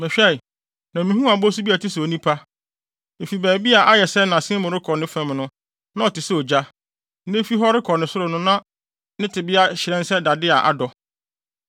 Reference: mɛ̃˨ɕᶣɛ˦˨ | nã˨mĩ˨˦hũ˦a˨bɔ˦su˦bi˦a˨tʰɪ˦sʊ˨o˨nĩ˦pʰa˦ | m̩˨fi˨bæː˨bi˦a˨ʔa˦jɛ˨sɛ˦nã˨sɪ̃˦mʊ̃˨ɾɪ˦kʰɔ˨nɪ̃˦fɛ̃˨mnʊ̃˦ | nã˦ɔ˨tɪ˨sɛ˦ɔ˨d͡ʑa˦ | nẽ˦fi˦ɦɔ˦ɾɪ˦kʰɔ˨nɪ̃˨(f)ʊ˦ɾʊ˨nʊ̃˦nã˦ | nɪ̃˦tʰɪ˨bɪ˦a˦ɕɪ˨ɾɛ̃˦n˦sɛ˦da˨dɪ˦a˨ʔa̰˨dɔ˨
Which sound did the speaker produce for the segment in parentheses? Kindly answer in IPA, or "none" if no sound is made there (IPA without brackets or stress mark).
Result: s